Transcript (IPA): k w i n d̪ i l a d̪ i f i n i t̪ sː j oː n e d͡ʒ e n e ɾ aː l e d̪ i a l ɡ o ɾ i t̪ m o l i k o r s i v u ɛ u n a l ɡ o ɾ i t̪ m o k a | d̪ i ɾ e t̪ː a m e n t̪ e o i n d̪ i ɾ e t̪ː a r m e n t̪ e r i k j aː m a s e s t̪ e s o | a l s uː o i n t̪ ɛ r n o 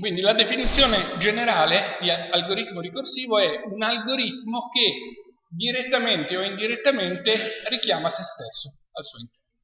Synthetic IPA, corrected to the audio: k w i n d̪ i l a d̪ e f i n i t̪ sː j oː n e d͡ʒ e n e ɾ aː l e d̪ i a l ɡ o ɾ i t̪ m o ɾ i k o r s iː v o ɛ u n a l ɡ o ɾ i t̪ m o k e | d̪ i ɾ e t̪ː a m e n t̪ e o i n d̪ i ɾ e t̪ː a m e n t̪ e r i k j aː m a s e s t̪ e sː o | a l s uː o i n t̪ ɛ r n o